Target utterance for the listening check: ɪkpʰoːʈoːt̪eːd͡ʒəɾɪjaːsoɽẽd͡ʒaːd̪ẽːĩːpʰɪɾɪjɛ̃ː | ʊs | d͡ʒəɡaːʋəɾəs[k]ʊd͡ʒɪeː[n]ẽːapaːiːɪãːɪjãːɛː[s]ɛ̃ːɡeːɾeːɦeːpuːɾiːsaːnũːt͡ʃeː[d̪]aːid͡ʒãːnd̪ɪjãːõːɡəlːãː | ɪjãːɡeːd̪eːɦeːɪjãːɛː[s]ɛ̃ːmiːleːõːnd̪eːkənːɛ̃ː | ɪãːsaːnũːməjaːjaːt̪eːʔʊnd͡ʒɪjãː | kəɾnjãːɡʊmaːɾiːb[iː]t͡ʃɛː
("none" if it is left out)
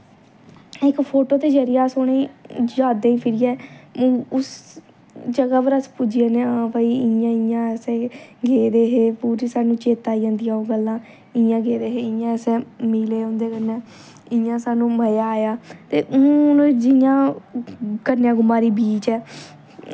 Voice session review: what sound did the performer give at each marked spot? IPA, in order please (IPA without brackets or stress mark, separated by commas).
p, n, s, t̪, s, iː